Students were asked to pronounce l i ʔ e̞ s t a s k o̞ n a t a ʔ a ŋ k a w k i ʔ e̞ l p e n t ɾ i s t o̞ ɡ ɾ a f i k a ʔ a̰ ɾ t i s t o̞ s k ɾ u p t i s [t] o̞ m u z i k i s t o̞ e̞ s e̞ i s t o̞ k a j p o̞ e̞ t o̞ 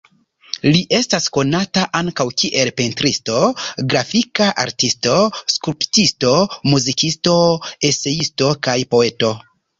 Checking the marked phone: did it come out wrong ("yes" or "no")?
no